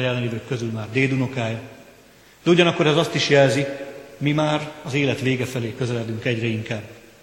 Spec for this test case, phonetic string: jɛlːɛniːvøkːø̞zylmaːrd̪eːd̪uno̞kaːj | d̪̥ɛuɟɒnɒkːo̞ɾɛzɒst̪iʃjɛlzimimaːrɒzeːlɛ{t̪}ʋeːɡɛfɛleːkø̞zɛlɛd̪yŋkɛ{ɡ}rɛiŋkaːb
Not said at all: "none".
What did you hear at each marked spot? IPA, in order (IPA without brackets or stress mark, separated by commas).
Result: t̪, ɟ